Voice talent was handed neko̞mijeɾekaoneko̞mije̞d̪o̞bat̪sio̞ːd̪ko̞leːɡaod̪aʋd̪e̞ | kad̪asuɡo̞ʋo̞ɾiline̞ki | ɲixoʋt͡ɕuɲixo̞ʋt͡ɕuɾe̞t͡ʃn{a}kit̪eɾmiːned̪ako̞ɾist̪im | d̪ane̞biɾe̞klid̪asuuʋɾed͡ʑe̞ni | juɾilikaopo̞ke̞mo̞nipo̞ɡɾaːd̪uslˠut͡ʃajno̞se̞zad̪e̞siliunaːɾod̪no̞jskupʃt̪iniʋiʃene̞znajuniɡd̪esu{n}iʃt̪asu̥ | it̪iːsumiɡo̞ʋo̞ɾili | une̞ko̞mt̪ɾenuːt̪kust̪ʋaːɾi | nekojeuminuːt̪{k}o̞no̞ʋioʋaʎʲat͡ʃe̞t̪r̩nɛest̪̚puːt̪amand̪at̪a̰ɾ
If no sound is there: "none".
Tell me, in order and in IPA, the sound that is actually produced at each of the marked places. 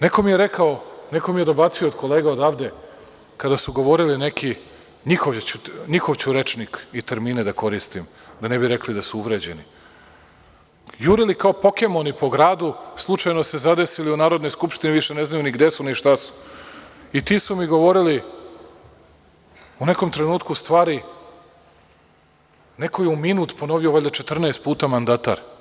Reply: i, n, p

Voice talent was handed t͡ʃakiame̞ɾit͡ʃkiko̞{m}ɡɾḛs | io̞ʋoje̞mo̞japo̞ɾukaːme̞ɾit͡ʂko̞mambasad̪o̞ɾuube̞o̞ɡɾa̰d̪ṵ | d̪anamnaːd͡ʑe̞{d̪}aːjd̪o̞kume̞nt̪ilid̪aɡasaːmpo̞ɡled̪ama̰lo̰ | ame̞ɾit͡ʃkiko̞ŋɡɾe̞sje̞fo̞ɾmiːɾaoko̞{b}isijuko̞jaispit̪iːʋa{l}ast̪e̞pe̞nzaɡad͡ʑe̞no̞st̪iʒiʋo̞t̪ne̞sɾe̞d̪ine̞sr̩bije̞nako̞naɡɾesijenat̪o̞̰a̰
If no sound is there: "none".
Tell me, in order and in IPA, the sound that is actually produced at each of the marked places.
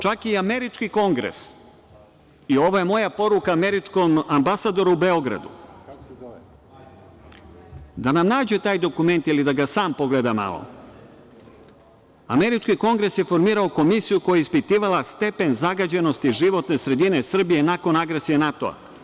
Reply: ŋ, t̪, m, l

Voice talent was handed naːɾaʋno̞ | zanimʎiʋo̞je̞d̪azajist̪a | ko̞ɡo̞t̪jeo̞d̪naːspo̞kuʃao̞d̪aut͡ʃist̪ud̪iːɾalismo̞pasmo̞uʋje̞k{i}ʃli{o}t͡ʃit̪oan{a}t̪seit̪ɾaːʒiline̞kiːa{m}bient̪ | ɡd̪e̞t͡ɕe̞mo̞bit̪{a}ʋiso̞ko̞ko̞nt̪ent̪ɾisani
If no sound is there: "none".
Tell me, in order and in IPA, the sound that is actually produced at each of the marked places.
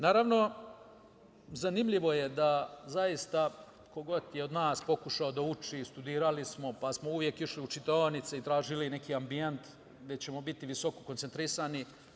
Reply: i, u, i, m, i

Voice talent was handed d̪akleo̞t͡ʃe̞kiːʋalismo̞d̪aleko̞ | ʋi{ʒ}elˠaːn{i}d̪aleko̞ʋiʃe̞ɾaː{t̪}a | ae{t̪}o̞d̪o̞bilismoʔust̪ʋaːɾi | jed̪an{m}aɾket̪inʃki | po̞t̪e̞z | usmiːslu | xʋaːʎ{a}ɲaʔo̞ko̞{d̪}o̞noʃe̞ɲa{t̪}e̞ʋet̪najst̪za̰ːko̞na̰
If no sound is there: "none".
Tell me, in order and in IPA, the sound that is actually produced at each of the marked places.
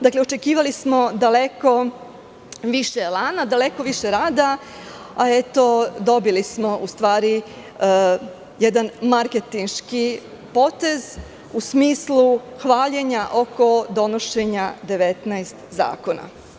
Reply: ʃ, a, d̪, t̪, m, e, d̪, d̪

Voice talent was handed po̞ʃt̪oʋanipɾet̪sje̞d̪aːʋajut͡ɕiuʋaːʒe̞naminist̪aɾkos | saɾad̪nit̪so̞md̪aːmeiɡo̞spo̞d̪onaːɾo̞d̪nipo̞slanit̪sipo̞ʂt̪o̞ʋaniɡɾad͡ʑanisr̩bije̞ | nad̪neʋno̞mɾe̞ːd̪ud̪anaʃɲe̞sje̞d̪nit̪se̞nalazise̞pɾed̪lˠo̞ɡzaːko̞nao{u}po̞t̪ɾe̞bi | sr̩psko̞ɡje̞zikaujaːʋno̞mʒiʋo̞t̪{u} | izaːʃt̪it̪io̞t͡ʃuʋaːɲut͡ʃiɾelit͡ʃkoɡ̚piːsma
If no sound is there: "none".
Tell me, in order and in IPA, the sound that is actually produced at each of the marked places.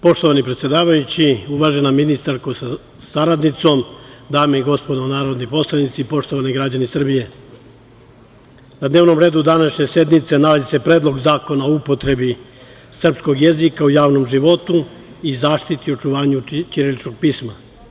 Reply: u, u

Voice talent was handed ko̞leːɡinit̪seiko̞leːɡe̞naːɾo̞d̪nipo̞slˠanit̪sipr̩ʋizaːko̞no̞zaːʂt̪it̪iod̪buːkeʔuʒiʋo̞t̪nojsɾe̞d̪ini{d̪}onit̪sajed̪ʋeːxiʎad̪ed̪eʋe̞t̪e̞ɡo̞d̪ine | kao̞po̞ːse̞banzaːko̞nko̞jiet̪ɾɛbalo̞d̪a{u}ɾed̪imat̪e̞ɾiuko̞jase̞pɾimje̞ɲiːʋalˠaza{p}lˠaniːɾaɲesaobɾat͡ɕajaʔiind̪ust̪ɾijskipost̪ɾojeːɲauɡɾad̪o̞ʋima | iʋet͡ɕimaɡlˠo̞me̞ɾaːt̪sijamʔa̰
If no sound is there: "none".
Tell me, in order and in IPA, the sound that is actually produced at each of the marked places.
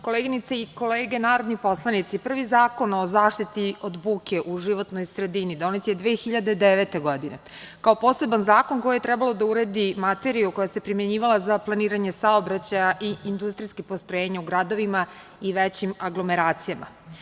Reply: d̪, u, p

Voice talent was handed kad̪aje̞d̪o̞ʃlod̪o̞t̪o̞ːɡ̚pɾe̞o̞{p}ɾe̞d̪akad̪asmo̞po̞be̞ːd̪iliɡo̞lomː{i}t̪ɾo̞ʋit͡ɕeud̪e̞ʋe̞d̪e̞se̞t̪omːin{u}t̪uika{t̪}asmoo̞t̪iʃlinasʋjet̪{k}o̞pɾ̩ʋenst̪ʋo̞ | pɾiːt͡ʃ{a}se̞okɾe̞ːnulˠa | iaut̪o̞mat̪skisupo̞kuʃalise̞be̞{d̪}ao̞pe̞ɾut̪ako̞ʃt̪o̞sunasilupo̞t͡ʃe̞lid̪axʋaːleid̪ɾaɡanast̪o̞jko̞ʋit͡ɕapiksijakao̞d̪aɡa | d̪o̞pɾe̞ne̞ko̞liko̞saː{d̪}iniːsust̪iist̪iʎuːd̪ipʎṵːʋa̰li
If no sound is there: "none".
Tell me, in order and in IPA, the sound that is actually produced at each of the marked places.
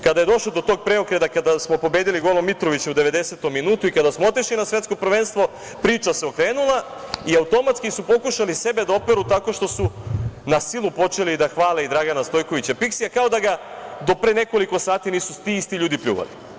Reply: k, i, uː, d̪, k, a, d̪, t̪

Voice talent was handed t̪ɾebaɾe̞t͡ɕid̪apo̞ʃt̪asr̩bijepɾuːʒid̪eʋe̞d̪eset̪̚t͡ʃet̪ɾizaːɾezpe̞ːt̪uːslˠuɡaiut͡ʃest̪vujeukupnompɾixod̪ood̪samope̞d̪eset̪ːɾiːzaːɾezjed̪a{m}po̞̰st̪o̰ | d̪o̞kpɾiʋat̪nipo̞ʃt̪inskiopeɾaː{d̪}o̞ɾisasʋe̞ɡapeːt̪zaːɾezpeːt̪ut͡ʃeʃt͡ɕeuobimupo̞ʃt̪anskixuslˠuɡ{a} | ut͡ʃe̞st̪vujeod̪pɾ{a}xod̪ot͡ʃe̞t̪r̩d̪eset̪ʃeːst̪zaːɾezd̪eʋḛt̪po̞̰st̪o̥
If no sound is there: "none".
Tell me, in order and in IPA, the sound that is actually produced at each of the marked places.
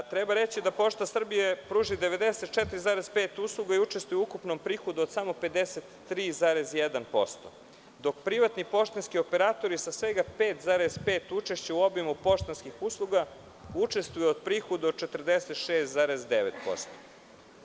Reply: n, t̪, a, i

